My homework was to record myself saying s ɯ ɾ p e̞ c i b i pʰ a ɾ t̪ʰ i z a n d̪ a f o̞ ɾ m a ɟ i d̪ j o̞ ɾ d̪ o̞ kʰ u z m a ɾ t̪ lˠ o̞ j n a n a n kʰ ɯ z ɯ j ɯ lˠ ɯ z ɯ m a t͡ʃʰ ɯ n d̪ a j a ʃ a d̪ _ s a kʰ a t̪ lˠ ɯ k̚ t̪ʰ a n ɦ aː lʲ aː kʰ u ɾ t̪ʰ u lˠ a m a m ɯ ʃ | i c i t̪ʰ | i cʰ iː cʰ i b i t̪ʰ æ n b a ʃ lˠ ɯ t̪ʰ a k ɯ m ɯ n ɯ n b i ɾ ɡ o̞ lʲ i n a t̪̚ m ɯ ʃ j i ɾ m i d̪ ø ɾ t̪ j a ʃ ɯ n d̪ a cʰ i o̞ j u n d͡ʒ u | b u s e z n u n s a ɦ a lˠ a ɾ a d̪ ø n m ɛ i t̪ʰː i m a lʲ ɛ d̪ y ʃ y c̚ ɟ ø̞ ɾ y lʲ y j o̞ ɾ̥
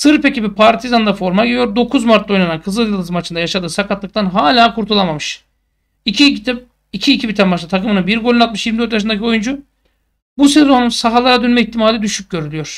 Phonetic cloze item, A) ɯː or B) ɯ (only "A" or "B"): A